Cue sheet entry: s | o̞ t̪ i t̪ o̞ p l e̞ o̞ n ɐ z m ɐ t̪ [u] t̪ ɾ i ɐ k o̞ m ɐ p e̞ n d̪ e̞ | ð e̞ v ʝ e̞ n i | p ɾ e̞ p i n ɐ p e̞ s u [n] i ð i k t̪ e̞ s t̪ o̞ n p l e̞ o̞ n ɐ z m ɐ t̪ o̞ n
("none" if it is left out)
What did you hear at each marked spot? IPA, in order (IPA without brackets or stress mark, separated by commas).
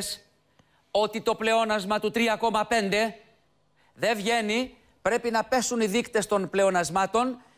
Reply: u, n